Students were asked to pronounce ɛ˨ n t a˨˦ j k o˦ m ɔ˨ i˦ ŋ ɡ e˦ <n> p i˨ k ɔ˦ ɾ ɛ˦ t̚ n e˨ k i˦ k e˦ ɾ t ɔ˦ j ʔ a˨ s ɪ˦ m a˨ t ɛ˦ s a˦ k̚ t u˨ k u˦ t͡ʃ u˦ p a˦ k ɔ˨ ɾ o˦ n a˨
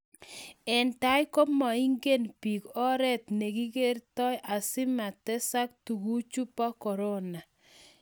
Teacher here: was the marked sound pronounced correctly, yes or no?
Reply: yes